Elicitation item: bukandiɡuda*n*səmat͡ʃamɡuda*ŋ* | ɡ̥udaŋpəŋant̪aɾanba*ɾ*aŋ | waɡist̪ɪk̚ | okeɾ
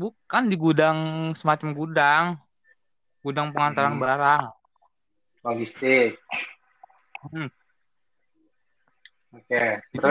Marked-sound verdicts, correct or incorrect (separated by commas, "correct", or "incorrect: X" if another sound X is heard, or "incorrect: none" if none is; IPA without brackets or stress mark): incorrect: ŋ, correct, correct